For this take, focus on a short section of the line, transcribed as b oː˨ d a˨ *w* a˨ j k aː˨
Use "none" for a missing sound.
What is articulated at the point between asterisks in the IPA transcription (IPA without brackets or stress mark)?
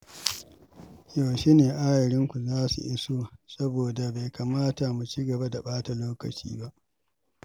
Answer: b